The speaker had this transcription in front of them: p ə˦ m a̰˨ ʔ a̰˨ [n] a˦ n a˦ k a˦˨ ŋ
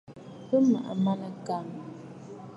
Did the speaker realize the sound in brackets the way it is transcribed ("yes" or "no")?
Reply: no